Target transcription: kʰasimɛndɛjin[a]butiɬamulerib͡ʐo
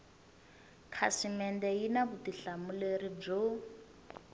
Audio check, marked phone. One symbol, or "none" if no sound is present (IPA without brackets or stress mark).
a